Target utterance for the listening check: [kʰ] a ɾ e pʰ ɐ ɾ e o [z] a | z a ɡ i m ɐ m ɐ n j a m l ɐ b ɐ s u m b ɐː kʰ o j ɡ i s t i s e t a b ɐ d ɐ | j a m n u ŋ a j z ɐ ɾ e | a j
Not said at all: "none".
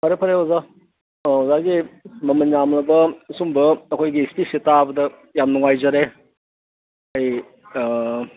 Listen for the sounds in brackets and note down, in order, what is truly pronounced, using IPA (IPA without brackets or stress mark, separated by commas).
pʰ, z